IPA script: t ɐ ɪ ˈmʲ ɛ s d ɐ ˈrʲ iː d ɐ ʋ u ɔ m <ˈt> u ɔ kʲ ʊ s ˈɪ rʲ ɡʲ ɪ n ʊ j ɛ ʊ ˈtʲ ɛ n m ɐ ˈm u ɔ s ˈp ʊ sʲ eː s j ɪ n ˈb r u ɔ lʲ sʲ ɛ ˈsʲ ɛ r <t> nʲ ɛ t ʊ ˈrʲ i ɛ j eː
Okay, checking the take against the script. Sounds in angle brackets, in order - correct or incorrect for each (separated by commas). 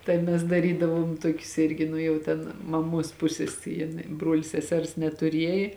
correct, incorrect